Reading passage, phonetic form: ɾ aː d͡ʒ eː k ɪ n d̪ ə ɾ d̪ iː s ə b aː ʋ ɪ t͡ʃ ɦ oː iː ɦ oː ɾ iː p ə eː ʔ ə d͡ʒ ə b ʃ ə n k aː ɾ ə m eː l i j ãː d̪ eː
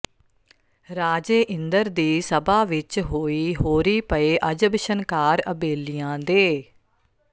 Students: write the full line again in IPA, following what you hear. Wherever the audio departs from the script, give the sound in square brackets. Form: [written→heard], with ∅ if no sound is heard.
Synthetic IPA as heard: ɾ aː d͡ʒ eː [k→ʔ] ɪ n d̪ ə ɾ d̪ iː s ə b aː ʋ ɪ t͡ʃ ɦ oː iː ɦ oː ɾ iː p ə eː ʔ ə d͡ʒ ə b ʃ ə n k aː ɾ ə [m→b] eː l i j ãː d̪ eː